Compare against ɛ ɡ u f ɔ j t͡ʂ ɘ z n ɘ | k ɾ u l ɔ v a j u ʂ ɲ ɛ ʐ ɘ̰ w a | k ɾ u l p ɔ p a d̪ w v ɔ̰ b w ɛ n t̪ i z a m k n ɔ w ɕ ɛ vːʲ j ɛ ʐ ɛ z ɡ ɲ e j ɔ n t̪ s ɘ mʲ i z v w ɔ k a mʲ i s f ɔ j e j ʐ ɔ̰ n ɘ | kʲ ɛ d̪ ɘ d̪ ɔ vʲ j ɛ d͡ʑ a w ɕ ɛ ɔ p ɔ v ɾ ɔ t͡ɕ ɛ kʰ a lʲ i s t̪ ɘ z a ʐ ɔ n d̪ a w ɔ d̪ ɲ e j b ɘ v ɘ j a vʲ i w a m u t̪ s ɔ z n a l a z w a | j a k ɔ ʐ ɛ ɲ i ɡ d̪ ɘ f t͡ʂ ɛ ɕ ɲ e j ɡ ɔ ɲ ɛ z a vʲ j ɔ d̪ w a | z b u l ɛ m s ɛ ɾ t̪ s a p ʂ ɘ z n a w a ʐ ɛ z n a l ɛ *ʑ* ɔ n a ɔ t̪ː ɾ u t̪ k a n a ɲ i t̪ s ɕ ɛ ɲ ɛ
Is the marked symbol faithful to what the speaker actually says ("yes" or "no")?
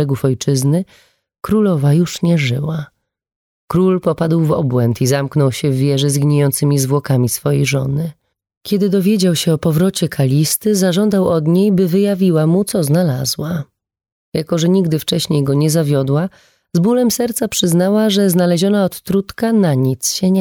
yes